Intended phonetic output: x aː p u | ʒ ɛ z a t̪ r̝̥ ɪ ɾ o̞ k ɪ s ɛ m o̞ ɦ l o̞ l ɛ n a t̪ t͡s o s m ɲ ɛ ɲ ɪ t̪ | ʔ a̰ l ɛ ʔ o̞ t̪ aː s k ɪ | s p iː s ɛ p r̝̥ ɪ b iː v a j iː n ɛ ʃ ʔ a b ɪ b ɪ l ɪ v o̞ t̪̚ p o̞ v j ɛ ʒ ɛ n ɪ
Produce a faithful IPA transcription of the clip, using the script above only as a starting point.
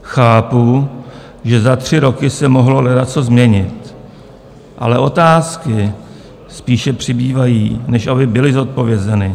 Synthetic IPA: x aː p u | ʒ ɛ z a t̪ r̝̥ ɪ ɾ o̞ k ɪ s ɛ m o̞ ɦ l o̞ l ɛ d a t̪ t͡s o z m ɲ ɛ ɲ ɪ t̪ | ʔ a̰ l ɛ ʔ o̞ t̪ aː s k ɪ | s p iː ʃ ɛ p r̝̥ ɪ b iː v a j iː n ɛ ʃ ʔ a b ɪ b ɪ l ɪ z o̞ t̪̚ p o̞ v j ɛ z ɛ n ɪ